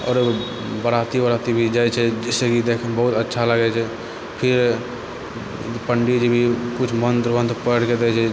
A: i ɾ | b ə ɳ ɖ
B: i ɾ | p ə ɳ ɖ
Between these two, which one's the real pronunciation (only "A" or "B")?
B